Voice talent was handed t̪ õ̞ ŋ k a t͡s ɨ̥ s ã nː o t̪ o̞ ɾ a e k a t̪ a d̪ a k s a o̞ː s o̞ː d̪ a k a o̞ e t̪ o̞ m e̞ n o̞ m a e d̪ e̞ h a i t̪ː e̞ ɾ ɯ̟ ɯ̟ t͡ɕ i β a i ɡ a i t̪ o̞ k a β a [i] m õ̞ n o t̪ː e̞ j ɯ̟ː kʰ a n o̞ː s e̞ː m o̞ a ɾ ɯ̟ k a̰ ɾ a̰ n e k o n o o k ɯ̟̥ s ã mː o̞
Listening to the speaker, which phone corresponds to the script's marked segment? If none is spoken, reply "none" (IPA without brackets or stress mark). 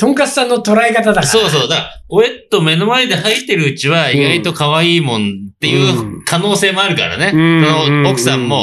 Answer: iː